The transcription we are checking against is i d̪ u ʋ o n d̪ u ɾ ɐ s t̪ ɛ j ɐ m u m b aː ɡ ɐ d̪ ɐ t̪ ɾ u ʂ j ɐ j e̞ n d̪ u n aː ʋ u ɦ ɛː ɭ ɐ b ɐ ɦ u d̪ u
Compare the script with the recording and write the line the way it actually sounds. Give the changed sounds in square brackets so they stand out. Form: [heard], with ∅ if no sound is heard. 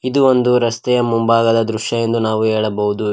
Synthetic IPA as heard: i d̪ u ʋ o n d̪ u ɾ ɐ s t̪ ɛ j ɐ m u m b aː ɡ ɐ d̪ ɐ [d̪] ɾ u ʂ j ɐ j e̞ n d̪ u n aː ʋ u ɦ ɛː ɭ ɐ b ɐ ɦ u d̪ u